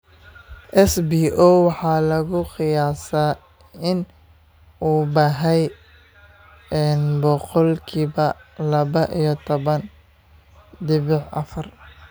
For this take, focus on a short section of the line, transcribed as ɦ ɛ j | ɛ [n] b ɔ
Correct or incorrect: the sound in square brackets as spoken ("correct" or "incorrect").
correct